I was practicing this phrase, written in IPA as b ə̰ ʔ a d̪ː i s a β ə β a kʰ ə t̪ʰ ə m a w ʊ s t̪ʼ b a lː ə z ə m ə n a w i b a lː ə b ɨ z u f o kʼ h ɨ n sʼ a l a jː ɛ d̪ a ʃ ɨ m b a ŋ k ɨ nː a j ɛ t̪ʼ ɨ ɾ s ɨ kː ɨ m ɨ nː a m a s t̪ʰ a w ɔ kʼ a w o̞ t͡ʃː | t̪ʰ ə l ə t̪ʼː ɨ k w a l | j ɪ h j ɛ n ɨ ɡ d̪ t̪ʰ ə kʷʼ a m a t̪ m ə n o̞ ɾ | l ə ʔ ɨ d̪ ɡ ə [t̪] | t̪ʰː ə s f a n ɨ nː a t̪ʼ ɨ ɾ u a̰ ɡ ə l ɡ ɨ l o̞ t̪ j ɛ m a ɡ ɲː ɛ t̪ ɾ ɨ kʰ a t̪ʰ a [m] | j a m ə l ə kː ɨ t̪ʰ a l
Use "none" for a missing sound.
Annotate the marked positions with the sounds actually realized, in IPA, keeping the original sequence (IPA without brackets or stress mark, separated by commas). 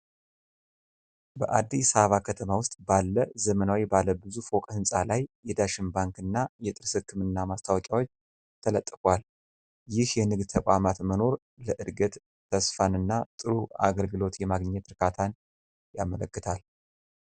t̪, n